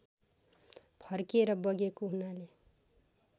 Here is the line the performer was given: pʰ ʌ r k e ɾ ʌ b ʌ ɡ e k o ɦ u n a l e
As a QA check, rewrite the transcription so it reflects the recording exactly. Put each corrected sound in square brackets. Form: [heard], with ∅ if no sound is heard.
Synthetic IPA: pʰ ʌ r k e ɾ ʌ b ʌ ɡ e k o ɦ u n a l e